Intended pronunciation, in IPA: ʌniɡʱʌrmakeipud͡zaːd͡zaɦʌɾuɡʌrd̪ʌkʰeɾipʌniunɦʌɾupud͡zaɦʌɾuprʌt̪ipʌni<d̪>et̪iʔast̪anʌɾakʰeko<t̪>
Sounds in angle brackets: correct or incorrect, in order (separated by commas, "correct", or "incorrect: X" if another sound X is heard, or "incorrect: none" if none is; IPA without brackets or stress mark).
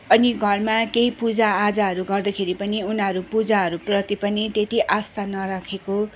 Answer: incorrect: t̪, incorrect: none